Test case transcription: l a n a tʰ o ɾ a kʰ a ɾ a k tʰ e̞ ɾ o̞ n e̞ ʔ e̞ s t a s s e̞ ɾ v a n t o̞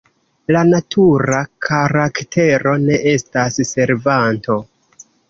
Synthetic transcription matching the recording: l a n a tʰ u ɾ a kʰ a ɾ a k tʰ e̞ ɾ o̞ n e̞ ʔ e̞ s t a s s e̞ ɾ v a n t o̞